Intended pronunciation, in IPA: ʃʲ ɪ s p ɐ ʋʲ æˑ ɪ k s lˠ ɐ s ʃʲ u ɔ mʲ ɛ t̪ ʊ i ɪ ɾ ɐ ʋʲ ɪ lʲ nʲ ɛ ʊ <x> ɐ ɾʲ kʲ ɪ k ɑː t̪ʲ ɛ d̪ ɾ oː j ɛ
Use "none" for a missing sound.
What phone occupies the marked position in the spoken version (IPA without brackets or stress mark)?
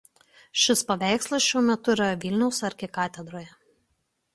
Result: s